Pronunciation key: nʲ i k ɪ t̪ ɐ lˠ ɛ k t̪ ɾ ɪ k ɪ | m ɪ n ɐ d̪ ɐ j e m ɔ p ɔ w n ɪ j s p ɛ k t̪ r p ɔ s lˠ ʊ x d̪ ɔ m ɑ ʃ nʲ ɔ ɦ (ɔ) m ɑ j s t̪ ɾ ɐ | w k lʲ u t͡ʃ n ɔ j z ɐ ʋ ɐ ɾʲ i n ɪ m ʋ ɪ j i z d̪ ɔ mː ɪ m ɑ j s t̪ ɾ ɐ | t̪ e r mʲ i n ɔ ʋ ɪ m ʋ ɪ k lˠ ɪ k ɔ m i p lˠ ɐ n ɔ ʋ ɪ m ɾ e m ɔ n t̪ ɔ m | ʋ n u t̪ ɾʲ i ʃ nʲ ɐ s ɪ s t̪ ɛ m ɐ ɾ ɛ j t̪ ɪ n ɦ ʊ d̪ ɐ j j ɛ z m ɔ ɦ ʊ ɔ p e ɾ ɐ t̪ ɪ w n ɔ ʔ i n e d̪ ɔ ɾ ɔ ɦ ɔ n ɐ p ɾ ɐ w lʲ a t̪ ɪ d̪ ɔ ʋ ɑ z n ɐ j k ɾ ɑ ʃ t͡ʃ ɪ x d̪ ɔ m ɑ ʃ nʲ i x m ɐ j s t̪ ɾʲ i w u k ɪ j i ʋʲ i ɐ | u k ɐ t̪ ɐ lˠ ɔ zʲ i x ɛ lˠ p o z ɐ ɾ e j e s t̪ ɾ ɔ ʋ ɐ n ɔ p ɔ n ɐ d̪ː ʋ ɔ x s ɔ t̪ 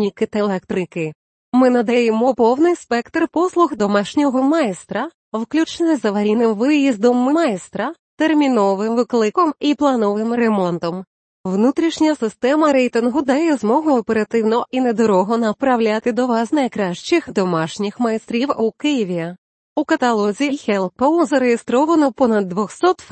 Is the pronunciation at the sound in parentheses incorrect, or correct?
correct